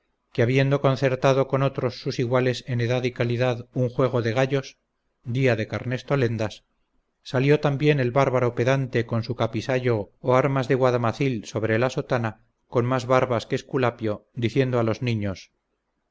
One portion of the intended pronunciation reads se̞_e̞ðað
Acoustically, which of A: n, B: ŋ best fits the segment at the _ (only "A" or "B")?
A